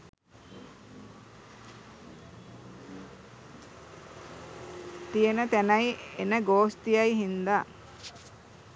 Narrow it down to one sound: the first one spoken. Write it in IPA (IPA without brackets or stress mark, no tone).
t̪